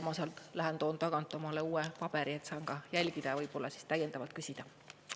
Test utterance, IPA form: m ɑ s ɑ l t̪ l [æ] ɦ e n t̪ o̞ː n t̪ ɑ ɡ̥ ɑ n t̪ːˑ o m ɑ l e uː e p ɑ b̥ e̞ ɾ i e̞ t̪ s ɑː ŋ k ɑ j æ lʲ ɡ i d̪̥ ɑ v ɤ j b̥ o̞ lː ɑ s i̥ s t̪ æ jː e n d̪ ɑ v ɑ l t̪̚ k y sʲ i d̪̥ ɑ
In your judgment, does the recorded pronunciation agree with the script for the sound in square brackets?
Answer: yes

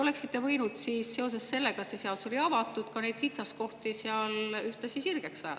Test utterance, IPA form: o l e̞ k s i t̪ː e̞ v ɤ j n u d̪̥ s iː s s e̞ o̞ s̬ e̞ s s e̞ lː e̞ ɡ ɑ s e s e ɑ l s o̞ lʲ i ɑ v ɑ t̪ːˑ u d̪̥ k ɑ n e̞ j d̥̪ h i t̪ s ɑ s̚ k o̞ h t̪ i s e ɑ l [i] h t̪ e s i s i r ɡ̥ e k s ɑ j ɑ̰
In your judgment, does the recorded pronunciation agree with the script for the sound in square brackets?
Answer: no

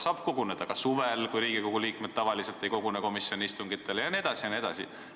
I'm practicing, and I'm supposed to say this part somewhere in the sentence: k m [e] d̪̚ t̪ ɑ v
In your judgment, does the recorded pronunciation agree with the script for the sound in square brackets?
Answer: yes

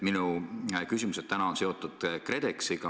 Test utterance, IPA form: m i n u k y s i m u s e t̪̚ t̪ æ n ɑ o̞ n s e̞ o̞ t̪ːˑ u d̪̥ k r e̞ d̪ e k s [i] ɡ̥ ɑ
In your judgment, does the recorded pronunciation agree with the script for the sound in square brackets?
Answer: yes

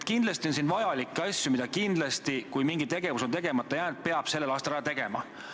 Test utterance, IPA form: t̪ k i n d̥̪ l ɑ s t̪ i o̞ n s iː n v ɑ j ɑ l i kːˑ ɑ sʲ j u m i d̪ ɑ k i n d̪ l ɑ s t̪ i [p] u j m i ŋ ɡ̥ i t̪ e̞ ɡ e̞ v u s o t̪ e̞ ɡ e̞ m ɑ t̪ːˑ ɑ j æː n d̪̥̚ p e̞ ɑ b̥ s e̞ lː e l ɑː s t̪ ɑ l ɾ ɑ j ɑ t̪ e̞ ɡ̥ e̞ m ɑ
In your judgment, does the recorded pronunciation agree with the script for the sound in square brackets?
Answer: no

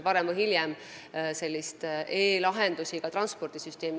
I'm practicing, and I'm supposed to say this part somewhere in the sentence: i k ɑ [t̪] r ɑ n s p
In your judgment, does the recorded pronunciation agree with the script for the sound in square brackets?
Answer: yes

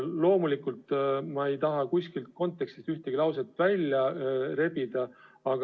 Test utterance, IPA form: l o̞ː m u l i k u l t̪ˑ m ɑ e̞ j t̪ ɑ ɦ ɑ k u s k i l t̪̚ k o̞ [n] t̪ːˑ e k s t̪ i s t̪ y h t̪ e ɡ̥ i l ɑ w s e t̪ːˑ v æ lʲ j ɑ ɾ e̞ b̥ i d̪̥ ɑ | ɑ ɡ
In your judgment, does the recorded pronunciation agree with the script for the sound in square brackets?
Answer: yes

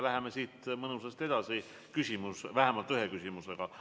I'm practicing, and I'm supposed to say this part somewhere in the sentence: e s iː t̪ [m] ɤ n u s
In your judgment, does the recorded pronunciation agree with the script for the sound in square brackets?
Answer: yes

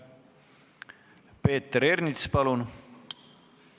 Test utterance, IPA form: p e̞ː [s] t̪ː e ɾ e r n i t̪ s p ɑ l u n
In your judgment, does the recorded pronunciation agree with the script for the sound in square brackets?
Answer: no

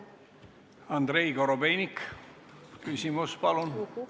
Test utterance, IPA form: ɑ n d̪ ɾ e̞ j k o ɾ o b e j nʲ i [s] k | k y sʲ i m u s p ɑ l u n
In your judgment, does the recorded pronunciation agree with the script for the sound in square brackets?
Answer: no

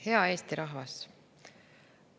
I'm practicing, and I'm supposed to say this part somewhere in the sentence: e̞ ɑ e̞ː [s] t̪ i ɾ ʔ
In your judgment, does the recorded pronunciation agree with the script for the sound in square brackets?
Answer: yes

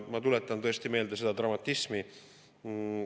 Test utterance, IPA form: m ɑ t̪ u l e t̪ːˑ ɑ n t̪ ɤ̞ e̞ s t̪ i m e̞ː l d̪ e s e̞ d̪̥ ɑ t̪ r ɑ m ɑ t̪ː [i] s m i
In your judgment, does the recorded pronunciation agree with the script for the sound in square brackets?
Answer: yes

